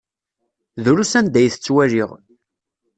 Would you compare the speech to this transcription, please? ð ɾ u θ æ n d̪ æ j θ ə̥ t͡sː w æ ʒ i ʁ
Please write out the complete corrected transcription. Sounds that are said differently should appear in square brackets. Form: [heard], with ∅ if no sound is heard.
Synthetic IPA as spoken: ð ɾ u [s] æ n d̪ æ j θ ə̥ t͡sː w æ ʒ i ʁ